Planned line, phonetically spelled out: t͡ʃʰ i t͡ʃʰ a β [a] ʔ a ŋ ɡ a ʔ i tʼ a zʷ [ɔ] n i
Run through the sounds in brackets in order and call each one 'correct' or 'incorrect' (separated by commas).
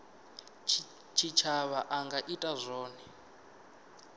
correct, incorrect